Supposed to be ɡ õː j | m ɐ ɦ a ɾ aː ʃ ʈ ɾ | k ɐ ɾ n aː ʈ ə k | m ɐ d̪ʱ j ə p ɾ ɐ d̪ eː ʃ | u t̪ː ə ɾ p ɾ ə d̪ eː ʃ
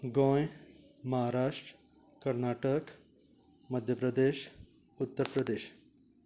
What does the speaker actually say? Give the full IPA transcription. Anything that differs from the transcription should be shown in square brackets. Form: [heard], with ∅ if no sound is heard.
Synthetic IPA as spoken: ɡ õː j | m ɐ ɦ a ɾ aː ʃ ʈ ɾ | k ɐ ɾ n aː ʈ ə k | m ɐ d̪ʱ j ə p ɾ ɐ d̪ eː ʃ | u t̪ː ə ɾ p ɾ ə d̪ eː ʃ